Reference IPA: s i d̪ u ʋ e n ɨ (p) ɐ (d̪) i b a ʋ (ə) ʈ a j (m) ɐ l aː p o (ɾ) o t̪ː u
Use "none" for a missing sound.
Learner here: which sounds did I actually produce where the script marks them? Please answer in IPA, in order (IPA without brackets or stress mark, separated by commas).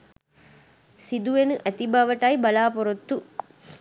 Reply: ʔ, t̪, ɐ, b, ɾ